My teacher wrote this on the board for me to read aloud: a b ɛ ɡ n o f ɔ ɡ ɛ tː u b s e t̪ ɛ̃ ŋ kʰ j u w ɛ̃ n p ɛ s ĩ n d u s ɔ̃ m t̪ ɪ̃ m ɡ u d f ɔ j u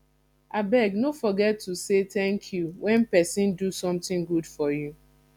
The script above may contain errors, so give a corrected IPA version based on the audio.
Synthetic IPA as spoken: a b ɛ ɡ n o f ɔ ɡ ɛ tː u s e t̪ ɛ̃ ŋ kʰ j u w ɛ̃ n p ɛ s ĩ n d u s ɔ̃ m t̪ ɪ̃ ŋ ɡ u d f ɔ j u